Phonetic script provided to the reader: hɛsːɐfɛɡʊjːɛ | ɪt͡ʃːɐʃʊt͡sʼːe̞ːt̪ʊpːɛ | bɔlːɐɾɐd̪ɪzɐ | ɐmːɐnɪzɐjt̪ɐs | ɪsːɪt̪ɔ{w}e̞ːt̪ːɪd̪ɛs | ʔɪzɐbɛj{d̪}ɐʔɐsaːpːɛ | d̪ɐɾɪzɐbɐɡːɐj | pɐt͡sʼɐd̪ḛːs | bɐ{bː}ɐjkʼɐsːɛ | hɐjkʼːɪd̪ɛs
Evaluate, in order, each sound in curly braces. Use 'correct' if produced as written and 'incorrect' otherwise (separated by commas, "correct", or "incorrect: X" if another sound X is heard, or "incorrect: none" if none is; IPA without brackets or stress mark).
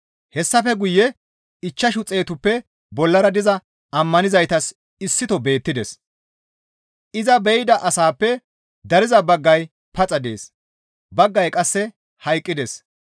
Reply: incorrect: b, correct, incorrect: ɡː